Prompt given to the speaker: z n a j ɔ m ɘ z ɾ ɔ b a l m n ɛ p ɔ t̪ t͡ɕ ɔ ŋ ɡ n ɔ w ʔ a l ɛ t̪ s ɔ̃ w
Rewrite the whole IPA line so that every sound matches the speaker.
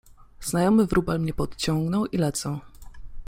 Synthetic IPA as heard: z n a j ɔ m ɘ v ɾ u b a l m ɲ ɛ p ɔ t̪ t͡ɕ ɔ ŋ ɡ n ɔ w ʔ i l ɛ t̪ s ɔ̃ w

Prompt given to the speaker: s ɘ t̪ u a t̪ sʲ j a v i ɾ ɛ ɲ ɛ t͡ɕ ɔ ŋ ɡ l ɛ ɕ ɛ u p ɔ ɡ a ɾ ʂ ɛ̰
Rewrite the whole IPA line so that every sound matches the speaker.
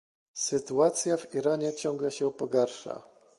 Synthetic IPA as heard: s ɘ t̪ u a t̪ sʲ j a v i ɾ a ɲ ɛ t͡ɕ ɔ ŋ ɡ l ɛ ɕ ɛ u p ɔ ɡ a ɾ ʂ a̰

